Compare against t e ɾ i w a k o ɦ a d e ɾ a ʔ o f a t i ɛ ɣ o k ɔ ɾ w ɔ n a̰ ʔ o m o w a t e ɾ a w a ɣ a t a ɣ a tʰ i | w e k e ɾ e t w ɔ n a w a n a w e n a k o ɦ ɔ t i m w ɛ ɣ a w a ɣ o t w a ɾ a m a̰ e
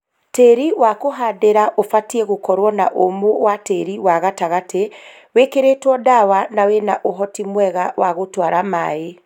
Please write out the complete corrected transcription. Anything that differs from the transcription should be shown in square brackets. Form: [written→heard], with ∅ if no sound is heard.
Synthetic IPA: t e ɾ i w a k o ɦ a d e ɾ a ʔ o f a t i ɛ ɣ o k ɔ ɾ w ɔ n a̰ ʔ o m o w a t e ɾ [a→i] w a ɣ a t a ɣ a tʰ [i→e] | w e k e ɾ e t w ɔ [n→d] a w a n a w e n a [k→ʔ] o ɦ ɔ t i m w ɛ ɣ a w a ɣ o t w a ɾ a m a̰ e